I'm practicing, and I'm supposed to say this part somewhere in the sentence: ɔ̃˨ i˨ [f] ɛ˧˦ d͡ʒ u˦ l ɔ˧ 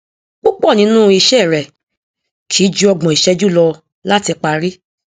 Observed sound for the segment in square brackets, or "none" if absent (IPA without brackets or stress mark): ʃ